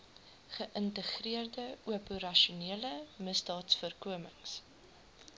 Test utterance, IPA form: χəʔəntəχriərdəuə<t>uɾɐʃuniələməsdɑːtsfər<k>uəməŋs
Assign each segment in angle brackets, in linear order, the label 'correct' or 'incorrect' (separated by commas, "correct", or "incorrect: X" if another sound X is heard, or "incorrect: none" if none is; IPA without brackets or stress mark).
incorrect: p, correct